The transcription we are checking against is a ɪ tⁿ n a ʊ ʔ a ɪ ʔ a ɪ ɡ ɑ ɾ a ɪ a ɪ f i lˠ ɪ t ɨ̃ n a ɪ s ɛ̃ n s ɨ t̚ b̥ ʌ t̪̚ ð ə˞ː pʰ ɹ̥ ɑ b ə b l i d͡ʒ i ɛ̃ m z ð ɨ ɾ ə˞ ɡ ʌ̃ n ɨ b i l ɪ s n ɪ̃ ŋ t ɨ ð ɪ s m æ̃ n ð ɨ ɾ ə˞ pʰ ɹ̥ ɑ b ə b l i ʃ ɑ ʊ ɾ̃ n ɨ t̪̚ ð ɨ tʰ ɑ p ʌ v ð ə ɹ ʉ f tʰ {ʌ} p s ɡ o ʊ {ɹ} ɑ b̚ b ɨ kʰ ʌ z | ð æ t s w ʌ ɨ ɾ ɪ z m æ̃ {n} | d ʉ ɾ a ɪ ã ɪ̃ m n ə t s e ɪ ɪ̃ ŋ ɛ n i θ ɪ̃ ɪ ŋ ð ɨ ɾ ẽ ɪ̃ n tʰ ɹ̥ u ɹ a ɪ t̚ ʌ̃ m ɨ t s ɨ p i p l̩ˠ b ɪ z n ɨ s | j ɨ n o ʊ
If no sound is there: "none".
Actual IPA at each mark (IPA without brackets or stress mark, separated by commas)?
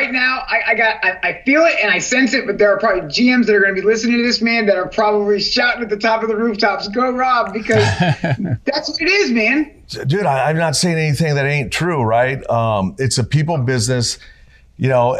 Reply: ɑ, ɹ, n